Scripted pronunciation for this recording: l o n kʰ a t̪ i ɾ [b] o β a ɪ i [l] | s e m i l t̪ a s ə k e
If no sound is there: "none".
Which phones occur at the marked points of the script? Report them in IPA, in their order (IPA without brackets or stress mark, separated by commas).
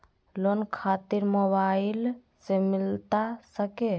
m, l